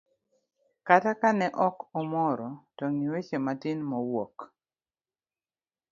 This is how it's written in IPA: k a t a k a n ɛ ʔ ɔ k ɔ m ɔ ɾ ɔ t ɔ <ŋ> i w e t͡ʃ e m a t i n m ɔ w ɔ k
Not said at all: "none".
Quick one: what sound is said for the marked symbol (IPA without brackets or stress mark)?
ŋ